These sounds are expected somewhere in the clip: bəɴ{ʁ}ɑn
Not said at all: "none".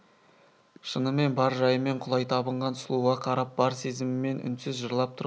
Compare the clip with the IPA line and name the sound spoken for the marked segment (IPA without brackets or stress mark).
ʁ